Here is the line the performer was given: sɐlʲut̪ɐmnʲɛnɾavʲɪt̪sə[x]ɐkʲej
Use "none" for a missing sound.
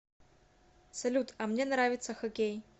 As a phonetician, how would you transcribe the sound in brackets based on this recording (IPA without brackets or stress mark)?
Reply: x